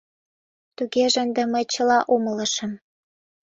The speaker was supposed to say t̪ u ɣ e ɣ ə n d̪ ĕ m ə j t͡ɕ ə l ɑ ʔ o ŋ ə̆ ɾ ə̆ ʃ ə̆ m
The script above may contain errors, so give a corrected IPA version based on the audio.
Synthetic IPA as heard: t̪ u ɣ e ʒ ə n d̪ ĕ m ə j t͡ɕ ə l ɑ ʔ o m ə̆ l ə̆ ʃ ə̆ m